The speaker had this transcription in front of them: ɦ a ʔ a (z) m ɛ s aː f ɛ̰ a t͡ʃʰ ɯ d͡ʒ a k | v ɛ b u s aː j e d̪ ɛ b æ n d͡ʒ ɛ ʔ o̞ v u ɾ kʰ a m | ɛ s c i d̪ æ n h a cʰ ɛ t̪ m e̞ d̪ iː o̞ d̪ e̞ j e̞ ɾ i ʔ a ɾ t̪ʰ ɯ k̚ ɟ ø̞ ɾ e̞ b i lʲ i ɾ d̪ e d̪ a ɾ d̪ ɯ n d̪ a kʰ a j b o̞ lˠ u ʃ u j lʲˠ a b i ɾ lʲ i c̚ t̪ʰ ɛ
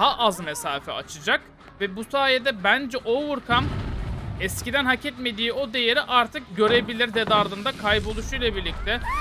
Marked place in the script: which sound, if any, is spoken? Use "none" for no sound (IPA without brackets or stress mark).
z